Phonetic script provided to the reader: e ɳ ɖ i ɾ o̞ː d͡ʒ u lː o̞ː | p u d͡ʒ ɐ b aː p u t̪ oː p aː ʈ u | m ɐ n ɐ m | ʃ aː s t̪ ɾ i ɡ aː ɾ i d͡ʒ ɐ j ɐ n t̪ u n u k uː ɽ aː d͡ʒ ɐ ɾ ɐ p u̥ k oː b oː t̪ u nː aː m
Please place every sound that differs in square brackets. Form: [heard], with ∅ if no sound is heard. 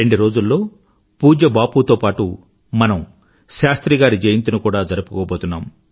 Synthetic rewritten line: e ɳ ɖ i ɾ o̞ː d͡ʒ u lː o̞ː | p [uː] d͡ʒ ɐ b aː p u t̪ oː p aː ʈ u | m ɐ n ɐ m | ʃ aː s t̪ ɾ i ɡ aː ɾ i d͡ʒ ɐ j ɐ n t̪ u n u k uː ɽ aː d͡ʒ ɐ ɾ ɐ p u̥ k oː b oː t̪ u nː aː m

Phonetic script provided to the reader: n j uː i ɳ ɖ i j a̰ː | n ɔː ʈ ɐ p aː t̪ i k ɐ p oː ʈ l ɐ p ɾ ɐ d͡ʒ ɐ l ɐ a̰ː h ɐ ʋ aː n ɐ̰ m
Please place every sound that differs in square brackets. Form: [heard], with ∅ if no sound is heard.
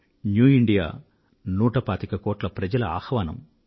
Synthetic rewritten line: n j uː i ɳ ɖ i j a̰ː | n [uː] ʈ ɐ p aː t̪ i k ɐ [k] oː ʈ l ɐ p ɾ ɐ d͡ʒ ɐ l ɐ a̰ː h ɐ ʋ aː n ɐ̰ m

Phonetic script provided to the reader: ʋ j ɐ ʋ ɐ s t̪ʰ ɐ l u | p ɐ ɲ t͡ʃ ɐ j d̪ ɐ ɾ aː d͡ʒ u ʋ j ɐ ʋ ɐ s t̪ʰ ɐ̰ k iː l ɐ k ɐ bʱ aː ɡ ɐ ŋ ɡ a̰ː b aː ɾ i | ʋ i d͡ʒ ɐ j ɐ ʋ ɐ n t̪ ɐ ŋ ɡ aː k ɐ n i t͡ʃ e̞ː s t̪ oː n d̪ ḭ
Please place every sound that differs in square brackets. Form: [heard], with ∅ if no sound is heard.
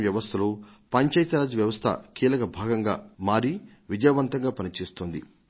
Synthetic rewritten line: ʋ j ɐ ʋ ɐ s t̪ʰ ɐ l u | p ɐ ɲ t͡ʃ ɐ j [t̪] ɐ ɾ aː d͡ʒ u ʋ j ɐ ʋ ɐ s t̪ʰ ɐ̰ k iː l ɐ k ɐ bʱ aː ɡ ɐ ŋ ɡ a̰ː [m] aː ɾ i | ʋ i d͡ʒ ɐ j ɐ ʋ ɐ n t̪ ɐ ŋ ɡ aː [p] ɐ n i t͡ʃ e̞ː s t̪ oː n d̪ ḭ

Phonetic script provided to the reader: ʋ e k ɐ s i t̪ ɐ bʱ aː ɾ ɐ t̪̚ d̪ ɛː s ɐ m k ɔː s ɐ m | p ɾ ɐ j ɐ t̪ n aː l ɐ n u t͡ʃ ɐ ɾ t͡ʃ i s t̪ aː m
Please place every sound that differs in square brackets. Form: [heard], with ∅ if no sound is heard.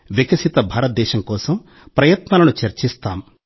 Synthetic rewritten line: ʋ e k ɐ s i t̪ ɐ bʱ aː ɾ ɐ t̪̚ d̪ ɛː [ʃ] ɐ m k ɔː s ɐ m | p ɾ ɐ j ɐ t̪ n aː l ɐ n u t͡ʃ ɐ ɾ t͡ʃ i s t̪ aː m

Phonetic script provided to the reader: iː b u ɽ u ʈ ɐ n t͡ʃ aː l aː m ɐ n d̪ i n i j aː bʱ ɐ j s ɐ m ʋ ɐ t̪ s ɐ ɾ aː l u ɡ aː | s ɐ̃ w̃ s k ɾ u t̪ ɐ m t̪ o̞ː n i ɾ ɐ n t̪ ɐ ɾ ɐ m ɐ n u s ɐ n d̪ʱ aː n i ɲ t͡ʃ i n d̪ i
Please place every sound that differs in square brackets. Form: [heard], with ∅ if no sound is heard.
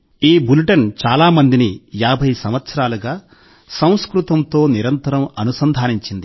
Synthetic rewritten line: iː b u [l] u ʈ ɐ n t͡ʃ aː l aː m ɐ n d̪ i n i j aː bʱ ɐ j s ɐ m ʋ ɐ t̪ s ɐ ɾ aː l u ɡ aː | s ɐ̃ w̃ s k ɾ u t̪ ɐ m t̪ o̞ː n i ɾ ɐ n t̪ ɐ ɾ ɐ m ɐ n u s ɐ n d̪ʱ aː n i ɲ t͡ʃ i n d̪ i

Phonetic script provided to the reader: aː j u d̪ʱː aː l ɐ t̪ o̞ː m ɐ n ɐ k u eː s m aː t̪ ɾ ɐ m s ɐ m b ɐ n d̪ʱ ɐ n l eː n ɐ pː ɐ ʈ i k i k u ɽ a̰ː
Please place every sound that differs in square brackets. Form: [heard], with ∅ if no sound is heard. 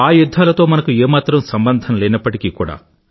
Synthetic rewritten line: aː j u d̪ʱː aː l ɐ t̪ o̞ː m ɐ n ɐ k u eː [∅] m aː t̪ ɾ ɐ m s ɐ m b ɐ n d̪ʱ ɐ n l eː n ɐ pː ɐ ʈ i k i k [uː] ɽ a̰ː

